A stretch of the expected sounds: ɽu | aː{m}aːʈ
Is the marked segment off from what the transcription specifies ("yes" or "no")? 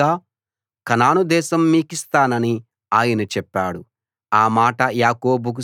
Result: no